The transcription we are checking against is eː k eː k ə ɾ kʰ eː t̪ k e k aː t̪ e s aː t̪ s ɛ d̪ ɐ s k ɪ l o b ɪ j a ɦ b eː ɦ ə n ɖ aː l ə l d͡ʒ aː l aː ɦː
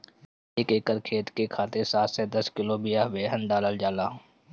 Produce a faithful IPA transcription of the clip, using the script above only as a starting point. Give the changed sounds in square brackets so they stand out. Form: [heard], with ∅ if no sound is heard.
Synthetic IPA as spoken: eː k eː k ə ɾ kʰ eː t̪ k e [kʰ] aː t̪ e s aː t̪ s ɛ d̪ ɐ s k ɪ l o b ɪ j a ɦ b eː ɦ ə n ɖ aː l ə l d͡ʒ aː l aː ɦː

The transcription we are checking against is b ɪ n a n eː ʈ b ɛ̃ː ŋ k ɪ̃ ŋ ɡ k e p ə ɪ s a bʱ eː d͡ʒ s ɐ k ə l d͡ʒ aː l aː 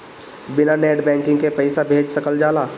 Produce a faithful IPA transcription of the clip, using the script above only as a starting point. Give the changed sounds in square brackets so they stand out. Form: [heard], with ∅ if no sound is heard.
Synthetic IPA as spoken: b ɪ n a n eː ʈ b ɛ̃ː ŋ k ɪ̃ ŋ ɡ k e p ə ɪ s a bʱ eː d͡ʒ s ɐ k ə l d͡ʒ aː l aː

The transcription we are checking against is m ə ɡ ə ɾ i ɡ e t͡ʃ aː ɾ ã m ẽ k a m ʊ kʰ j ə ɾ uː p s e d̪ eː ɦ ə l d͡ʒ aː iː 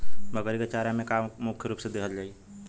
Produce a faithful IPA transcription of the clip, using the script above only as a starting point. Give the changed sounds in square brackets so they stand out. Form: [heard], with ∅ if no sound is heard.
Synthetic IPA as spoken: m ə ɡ ə ɾ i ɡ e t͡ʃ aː ɾ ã m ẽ k a m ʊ kʰ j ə ɾ uː p s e d̪ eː ɦ ə l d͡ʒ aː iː

